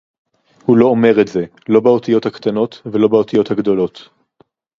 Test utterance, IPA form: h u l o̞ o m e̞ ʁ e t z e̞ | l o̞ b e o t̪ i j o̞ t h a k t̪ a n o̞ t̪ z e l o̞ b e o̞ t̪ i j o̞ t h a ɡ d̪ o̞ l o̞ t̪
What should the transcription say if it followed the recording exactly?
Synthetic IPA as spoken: h u l o̞ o m e̞ ʁ e t z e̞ | l o̞ b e o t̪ i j o̞ t h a k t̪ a n o̞ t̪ v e l o̞ b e o̞ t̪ i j o̞ t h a ɡ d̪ o̞ l o̞ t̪